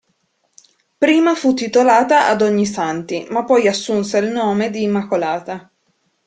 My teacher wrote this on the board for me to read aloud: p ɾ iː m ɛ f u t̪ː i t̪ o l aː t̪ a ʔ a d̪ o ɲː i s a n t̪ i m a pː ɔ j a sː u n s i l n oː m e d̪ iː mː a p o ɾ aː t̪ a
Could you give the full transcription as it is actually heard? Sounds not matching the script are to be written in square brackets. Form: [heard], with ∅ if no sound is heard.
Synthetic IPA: p ɾ iː m [a] f u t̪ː i t̪ o l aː t̪ a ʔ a d̪ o ɲː i s a n t̪ i m a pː ɔ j a sː u n s [e] l n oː m e d̪ iː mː a [k] o [l] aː t̪ a

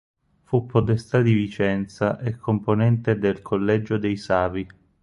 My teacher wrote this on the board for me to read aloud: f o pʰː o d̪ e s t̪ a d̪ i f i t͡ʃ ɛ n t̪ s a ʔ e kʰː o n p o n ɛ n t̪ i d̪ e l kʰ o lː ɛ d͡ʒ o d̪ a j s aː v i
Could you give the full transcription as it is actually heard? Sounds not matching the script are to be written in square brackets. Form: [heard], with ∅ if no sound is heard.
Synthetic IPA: f [u] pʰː o [t̪] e s t̪ a d̪ i [v] i t͡ʃ ɛ n t̪ s a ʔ e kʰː o [m] p o n ɛ n t̪ [e] d̪ e l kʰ o lː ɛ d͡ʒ o d̪ [e] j s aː v i

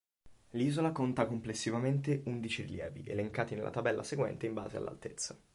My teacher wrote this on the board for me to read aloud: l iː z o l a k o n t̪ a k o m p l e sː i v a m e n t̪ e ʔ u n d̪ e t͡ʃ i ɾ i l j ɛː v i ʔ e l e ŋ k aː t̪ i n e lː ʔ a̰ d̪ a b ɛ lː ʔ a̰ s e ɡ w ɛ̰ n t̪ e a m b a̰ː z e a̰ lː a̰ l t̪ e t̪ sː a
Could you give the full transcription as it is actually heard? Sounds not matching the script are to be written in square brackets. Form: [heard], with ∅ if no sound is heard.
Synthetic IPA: l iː z o l a k o n t̪ a k o m p l e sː i v a m e n t̪ e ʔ u n d̪ [i] t͡ʃ i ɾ i l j ɛː v i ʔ e l e ŋ k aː t̪ i n e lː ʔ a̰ [t̪] a b ɛ lː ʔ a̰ s e ɡ w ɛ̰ n t̪ e [i] m b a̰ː z e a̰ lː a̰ l t̪ e t̪ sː a

